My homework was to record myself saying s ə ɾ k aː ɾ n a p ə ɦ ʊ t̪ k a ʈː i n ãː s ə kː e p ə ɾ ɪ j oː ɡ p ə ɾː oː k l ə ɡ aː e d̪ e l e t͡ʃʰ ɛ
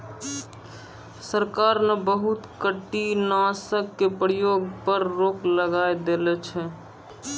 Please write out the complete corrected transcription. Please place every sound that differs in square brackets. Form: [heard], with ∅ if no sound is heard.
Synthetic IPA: s ə ɾ k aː ɾ n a [b] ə ɦ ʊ t̪ k [ə] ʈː i n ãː s ə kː e p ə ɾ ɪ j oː ɡ p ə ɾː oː k l ə ɡ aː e d̪ e l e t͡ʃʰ ɛ